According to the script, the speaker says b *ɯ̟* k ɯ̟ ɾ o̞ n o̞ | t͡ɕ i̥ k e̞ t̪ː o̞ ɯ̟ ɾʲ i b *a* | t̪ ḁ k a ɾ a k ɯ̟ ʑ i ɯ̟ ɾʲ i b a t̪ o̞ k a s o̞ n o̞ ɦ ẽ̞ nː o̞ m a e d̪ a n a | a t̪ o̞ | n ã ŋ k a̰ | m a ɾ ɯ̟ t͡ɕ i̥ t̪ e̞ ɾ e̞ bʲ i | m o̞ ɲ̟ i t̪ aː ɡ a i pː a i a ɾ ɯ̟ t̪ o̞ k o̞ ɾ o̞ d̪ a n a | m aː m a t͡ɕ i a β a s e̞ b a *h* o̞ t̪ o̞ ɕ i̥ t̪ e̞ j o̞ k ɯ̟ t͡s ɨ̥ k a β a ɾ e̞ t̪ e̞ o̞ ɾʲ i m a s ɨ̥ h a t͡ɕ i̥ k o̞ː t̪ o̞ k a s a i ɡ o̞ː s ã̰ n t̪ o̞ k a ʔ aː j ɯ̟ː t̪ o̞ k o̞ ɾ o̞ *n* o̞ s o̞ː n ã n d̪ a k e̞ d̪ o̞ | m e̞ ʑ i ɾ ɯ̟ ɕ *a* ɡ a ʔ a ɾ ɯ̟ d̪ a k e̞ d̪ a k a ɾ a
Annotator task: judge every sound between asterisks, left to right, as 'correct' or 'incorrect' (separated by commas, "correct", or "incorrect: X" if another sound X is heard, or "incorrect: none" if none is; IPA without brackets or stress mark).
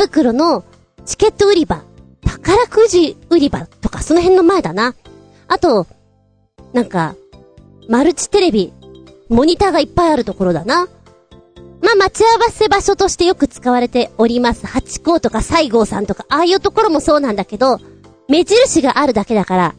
correct, correct, incorrect: ɕ, incorrect: m, incorrect: i